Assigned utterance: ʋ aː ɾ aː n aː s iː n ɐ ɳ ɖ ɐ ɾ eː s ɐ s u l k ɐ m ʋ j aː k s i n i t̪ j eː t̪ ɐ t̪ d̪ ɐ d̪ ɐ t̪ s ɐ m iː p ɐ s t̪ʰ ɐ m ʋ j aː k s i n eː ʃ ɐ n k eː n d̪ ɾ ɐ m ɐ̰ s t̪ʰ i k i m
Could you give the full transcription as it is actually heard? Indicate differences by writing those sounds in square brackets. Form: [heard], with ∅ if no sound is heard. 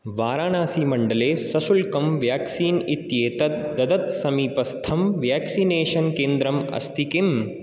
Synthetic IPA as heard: ʋ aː ɾ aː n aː s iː [m] ɐ ɳ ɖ ɐ [l] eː s ɐ s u l k ɐ m ʋ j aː k s [iː] n i t̪ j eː t̪ ɐ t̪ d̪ ɐ d̪ ɐ t̪ s ɐ m iː p ɐ s t̪ʰ ɐ m ʋ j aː k s i n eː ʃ ɐ n k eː n d̪ ɾ ɐ m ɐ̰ s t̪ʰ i k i m